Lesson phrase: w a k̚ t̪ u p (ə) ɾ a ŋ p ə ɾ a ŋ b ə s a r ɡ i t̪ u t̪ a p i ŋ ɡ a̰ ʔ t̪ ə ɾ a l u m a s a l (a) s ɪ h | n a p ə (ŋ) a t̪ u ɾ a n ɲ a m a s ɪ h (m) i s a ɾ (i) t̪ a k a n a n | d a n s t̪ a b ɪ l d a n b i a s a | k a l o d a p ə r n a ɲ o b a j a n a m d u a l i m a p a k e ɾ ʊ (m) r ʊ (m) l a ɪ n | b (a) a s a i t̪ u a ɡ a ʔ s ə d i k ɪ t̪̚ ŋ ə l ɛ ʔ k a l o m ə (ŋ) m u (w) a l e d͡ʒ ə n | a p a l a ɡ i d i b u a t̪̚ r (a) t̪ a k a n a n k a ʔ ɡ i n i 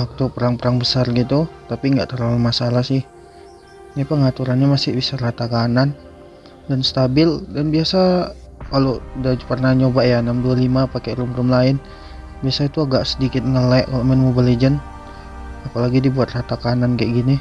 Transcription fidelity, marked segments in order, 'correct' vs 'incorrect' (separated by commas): correct, correct, correct, incorrect, incorrect, correct, correct, incorrect, incorrect, incorrect, correct